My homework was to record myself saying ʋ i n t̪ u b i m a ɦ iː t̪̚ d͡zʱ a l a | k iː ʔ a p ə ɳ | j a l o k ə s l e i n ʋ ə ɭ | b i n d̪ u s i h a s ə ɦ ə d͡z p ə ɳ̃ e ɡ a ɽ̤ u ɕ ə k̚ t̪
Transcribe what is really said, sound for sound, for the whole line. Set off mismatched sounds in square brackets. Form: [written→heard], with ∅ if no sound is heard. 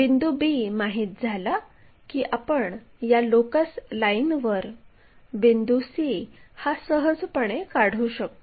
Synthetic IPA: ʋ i n [t̪→d̪] u b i m a ɦ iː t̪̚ d͡zʱ a l a | k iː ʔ a p ə ɳ | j a l o k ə s l [e→a] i n ʋ ə [ɭ→ɾ] | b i n d̪ u s i h a s ə ɦ ə d͡z p ə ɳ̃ e [ɡ→k] a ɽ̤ u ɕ ə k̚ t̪